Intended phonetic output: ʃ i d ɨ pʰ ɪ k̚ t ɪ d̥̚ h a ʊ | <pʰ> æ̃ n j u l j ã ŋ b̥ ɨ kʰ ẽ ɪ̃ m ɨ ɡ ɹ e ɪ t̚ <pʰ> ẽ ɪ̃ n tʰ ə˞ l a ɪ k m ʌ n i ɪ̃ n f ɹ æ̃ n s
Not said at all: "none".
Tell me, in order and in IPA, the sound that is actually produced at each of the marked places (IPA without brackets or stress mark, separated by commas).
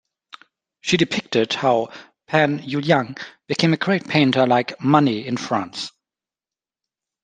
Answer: pʰ, pʰ